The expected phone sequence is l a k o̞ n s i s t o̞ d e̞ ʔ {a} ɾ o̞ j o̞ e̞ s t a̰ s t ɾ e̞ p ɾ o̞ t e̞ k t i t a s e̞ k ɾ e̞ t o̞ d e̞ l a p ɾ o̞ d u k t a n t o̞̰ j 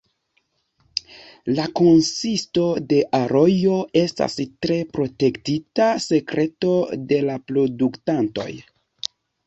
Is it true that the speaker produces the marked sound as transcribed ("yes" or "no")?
yes